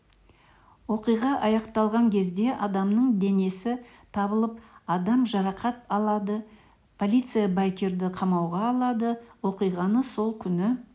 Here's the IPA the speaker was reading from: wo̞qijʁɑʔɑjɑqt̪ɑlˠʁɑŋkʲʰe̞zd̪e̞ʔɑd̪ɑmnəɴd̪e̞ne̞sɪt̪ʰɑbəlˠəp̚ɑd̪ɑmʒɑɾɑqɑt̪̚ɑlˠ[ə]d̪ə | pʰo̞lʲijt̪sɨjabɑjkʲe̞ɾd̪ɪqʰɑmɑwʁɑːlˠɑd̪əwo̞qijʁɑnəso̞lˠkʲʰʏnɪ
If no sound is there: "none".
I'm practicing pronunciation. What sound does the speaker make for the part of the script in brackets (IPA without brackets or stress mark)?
ɑ